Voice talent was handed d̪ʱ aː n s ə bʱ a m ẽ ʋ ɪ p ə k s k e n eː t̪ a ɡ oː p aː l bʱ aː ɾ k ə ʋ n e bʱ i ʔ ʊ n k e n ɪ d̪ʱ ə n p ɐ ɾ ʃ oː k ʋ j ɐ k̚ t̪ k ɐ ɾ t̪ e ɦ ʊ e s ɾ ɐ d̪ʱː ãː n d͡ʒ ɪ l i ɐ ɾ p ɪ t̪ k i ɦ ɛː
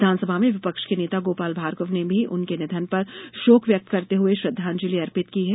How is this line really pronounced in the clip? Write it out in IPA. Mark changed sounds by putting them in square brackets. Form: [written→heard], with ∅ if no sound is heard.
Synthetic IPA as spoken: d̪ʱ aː n s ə bʱ a m ẽ ʋ ɪ p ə k [s→ʃ] k e n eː t̪ a ɡ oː p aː l bʱ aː ɾ k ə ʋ n e bʱ i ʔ ʊ n k e n ɪ d̪ʱ ə n p ɐ ɾ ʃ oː k ʋ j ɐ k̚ t̪ k ɐ ɾ t̪ e ɦ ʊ e [s→ʃ] ɾ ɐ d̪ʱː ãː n d͡ʒ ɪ l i ɐ ɾ p ɪ t̪ k i ɦ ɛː